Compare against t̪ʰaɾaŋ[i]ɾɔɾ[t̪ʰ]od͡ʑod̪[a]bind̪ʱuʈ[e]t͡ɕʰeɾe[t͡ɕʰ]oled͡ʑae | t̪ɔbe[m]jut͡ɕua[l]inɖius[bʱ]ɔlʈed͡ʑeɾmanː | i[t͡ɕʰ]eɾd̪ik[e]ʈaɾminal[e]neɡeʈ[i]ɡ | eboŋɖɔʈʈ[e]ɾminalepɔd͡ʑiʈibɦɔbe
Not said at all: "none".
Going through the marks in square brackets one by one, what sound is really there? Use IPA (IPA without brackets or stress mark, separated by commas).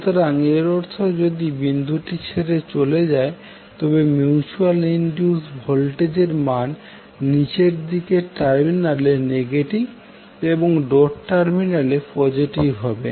e, t̪ʰ, i, i, t͡ɕ, m, l, bʱ, t͡ɕ, e, e, i, a